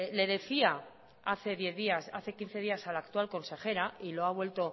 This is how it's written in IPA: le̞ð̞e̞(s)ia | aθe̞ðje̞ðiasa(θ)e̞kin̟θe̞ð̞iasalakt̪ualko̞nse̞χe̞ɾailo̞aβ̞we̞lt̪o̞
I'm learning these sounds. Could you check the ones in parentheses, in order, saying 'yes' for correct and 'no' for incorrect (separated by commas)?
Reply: no, yes